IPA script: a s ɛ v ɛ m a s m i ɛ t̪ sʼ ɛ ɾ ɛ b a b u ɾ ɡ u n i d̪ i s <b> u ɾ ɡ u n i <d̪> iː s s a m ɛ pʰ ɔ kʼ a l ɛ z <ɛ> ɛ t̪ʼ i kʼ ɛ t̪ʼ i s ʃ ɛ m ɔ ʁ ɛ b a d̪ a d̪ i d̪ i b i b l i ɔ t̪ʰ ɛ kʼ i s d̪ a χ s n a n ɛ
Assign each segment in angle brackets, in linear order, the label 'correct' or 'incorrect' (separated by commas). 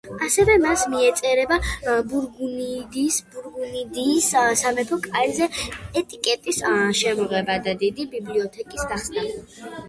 correct, correct, correct